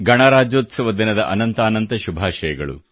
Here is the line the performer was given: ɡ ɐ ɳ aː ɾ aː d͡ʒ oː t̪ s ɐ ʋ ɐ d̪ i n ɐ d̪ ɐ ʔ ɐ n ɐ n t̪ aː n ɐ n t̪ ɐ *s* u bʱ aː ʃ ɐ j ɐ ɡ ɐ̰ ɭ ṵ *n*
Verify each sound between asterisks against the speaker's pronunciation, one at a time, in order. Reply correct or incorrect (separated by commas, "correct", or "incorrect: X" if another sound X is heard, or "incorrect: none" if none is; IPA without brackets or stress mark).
incorrect: ʃ, incorrect: none